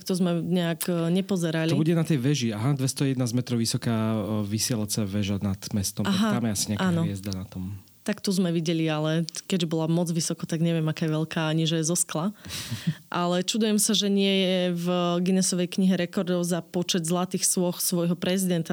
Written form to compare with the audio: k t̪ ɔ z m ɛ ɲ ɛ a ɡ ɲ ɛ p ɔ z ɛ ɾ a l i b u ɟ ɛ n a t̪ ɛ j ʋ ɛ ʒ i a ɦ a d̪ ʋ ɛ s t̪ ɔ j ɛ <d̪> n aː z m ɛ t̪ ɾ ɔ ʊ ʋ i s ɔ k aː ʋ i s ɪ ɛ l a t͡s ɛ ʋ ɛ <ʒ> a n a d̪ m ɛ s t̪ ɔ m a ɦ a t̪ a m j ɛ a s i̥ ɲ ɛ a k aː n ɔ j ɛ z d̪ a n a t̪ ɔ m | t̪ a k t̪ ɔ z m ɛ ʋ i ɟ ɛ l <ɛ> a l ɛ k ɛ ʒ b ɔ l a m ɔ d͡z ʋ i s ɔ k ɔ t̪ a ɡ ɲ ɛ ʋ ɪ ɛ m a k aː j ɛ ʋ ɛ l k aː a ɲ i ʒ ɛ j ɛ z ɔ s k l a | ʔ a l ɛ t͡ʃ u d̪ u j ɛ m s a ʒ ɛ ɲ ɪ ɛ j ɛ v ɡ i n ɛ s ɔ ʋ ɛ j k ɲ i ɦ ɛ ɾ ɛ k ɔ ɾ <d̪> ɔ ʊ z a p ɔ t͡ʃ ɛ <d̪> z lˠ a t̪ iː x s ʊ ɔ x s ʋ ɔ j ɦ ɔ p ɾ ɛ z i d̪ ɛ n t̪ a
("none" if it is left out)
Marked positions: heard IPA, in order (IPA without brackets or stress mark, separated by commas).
d̪, ʒ, i, d̪, d̪